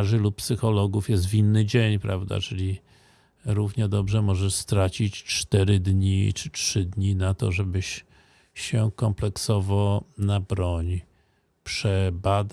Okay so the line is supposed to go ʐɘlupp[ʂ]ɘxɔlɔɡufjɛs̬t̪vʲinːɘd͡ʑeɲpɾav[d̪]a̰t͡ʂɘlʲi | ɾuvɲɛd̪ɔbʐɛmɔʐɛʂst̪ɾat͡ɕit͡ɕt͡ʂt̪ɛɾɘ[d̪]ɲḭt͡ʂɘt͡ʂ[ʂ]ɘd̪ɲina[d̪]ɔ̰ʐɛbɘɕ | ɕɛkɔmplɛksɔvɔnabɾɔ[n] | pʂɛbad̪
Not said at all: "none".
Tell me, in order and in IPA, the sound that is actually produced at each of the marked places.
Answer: s, d̪, d̪, ʂ, t̪, ɲ

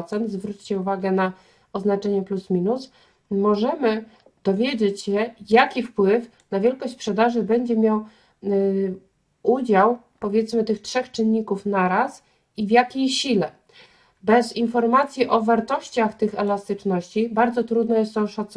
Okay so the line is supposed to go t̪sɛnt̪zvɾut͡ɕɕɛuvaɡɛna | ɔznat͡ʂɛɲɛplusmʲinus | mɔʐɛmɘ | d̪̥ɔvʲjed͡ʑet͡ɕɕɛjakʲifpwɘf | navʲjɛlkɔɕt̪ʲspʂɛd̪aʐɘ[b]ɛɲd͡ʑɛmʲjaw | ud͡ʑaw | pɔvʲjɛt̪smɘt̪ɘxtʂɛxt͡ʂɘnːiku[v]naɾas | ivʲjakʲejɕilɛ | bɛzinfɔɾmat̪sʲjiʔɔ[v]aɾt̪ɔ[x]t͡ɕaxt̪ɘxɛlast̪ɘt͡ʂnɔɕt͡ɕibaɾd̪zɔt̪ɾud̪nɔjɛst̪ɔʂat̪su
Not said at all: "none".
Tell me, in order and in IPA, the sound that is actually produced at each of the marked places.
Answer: b, f, v, ɕ

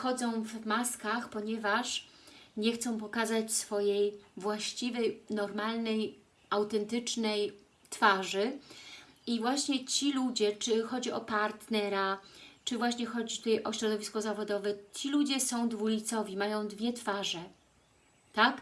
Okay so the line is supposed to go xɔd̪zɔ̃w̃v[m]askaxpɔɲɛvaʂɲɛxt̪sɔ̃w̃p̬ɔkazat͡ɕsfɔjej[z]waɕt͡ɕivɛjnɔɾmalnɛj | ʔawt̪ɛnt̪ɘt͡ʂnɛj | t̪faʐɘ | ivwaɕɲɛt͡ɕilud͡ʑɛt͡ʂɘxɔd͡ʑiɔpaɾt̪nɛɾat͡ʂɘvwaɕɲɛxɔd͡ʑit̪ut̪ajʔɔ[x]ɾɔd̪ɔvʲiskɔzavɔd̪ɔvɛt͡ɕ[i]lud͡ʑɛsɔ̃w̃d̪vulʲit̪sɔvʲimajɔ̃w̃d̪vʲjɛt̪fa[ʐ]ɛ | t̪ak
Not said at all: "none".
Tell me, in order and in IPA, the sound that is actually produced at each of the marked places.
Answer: m, v, ɕ, i, ʐ

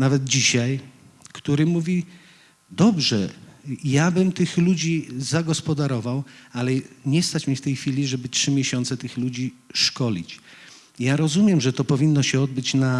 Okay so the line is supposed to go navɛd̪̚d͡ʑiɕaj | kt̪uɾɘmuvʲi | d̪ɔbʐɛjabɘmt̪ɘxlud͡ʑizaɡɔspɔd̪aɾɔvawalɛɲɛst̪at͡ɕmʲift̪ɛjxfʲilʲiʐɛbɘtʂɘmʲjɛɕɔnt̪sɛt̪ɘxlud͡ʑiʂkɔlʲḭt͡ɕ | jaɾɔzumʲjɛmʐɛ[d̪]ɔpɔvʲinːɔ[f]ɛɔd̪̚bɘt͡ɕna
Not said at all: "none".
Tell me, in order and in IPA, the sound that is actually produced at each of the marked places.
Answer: t̪, ɕ

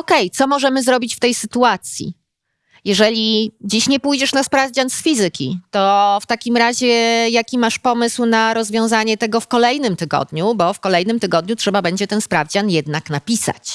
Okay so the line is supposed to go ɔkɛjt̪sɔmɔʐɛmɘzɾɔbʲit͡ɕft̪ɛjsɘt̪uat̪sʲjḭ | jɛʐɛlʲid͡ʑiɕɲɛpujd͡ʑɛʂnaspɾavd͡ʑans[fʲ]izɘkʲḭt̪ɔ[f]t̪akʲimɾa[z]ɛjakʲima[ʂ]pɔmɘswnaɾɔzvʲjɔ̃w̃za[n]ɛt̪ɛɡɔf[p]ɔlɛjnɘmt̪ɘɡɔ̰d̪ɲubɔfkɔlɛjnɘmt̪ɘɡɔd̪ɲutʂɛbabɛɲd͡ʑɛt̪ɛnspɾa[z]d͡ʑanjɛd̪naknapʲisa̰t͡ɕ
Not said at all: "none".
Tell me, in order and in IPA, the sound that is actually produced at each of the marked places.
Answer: fʲ, f, ʑ, ʂ, ɲ, k, v

